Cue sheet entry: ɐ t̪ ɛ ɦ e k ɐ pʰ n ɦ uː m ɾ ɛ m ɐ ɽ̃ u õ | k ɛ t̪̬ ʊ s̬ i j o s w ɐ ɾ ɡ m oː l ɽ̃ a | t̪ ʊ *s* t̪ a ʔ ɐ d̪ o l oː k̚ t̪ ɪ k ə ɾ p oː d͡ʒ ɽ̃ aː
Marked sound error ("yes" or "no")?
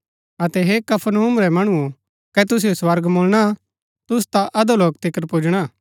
no